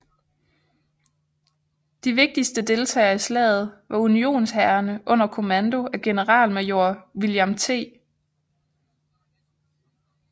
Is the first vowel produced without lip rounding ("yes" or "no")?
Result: yes